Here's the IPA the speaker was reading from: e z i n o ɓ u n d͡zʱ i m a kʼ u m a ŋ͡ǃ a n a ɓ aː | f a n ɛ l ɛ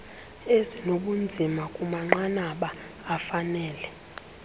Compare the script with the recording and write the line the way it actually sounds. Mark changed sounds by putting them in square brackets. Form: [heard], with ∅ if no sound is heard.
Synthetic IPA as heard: e z i n o ɓ u n d͡zʱ i m a kʼ u m a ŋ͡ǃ a n a ɓ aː | f a n [ɛː] l ɛ